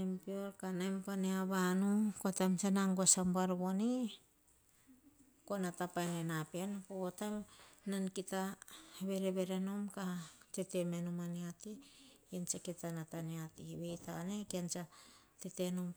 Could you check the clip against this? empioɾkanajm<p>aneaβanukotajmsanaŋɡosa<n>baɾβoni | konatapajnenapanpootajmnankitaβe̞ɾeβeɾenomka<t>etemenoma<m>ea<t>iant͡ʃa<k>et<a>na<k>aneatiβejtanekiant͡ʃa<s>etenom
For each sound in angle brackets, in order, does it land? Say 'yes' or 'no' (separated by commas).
yes, no, yes, no, yes, yes, yes, no, no